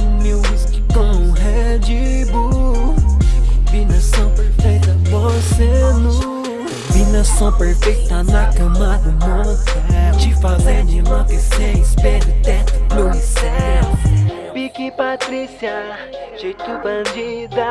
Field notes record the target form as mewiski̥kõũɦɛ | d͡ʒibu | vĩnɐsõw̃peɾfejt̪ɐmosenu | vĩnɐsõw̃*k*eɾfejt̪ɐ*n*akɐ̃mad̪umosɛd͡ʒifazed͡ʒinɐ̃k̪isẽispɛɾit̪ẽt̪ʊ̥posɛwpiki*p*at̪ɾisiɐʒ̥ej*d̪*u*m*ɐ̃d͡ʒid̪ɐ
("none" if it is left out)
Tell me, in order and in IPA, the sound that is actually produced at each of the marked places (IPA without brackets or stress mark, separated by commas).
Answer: p, n, p, t̪, b